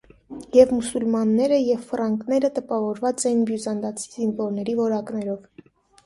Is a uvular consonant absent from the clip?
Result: yes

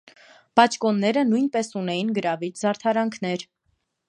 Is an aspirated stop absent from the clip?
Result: no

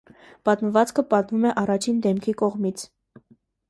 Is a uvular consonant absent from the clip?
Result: no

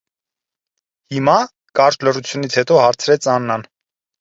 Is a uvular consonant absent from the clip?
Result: yes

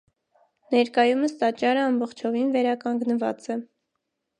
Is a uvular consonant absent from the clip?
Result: no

